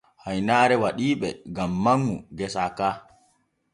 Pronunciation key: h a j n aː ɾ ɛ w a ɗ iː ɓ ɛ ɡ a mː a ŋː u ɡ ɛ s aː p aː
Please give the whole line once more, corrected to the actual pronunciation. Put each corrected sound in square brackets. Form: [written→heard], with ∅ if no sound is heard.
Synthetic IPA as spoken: h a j n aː ɾ ɛ w a ɗ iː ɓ ɛ ɡ a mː a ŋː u ɡ ɛ s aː [p→k] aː